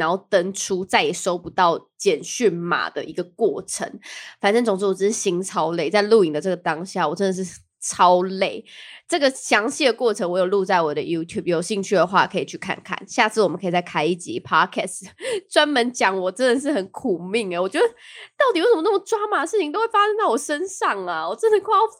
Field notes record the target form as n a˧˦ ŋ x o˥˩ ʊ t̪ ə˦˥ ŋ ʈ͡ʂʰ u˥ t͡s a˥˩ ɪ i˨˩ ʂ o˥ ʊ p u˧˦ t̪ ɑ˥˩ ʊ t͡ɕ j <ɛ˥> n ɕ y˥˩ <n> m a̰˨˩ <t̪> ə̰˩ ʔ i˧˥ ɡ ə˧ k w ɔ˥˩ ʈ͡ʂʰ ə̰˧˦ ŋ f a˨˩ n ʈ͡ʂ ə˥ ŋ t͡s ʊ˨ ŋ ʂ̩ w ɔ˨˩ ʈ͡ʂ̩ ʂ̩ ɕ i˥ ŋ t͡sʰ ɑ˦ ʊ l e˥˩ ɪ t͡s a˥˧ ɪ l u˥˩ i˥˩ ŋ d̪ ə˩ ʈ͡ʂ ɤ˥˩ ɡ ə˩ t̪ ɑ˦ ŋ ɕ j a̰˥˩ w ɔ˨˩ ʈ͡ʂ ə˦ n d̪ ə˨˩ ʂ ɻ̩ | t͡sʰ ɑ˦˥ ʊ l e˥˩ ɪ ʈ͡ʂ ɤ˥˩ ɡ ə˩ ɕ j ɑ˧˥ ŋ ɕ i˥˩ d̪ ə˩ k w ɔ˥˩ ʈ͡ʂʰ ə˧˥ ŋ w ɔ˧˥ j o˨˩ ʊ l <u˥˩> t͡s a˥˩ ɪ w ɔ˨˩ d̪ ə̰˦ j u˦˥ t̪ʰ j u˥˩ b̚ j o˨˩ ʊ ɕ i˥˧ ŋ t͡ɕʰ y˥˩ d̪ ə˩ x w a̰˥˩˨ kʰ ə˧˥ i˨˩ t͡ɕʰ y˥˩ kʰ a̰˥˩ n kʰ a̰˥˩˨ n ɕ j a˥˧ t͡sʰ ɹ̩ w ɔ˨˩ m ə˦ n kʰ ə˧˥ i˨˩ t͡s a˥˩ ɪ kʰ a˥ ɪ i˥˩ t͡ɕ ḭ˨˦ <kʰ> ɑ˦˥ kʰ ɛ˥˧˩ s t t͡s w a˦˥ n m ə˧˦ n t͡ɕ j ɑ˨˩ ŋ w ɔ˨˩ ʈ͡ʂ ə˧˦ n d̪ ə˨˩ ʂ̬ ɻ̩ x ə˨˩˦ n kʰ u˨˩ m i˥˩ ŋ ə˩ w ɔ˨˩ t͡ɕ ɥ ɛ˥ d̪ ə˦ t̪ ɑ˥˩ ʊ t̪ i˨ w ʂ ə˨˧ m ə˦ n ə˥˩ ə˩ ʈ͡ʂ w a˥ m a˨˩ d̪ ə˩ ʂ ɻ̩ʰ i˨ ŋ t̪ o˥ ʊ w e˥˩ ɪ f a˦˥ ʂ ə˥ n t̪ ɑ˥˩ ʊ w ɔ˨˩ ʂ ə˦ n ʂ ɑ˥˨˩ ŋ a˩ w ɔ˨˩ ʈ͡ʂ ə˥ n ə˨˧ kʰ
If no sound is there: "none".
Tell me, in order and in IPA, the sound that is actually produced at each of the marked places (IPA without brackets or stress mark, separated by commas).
ɛ˨˩, n, d̪, u˥˧, pʰ